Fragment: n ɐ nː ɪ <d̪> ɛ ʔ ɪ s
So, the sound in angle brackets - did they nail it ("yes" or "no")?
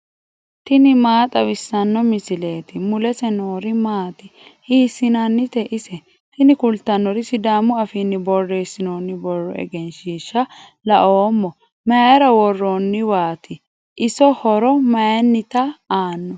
no